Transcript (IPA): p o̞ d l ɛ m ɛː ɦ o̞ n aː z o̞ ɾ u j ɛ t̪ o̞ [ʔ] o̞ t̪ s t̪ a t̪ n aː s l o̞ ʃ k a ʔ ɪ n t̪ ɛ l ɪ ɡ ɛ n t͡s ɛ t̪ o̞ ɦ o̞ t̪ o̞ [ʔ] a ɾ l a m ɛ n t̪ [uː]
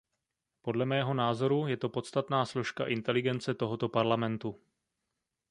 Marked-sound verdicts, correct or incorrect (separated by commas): incorrect, incorrect, incorrect